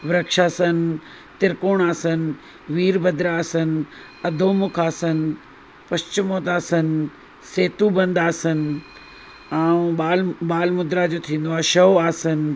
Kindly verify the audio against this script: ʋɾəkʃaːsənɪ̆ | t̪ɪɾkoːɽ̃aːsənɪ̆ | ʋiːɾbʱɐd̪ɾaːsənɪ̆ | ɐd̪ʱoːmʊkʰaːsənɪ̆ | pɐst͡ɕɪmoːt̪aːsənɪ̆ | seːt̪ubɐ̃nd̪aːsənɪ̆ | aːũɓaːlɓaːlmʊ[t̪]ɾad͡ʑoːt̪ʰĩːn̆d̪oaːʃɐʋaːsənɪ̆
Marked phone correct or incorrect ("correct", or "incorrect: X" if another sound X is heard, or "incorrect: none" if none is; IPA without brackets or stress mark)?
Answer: incorrect: d̪